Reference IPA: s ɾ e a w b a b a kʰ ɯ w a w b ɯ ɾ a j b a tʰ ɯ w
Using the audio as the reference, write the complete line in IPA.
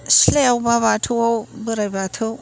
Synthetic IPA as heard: s l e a w b a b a tʰ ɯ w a w b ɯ ɾ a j b a tʰ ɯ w